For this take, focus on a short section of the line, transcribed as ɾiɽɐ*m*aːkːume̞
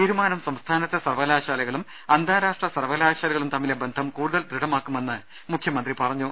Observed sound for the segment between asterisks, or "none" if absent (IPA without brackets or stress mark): m